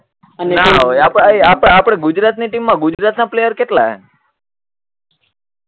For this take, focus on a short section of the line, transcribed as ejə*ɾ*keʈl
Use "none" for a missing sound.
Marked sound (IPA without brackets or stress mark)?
ɾ